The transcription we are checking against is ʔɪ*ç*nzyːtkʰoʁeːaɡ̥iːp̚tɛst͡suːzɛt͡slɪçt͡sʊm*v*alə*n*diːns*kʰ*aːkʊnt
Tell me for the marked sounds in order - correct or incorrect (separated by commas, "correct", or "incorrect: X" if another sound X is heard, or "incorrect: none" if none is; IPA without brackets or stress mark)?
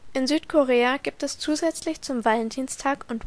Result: incorrect: none, correct, correct, incorrect: tʰ